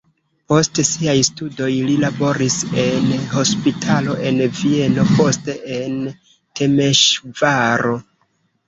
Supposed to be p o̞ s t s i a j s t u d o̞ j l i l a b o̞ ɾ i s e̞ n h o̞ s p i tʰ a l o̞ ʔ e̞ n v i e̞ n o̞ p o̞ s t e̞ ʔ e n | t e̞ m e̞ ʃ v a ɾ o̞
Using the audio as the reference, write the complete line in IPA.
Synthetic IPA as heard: p o̞ s t s i a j s t u d o̞ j l i l a b o̞ ɾ i s e̞ n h o̞ s p i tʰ a l o̞ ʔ e̞ n v i e̞ n o̞ p o̞ s t e̞ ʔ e n | t e̞ m e̞ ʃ v a ɾ o̞